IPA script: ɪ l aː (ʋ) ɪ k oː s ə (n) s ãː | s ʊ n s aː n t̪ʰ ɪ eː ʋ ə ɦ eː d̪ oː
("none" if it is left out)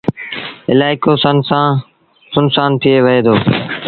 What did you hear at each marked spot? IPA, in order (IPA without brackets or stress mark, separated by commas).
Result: none, n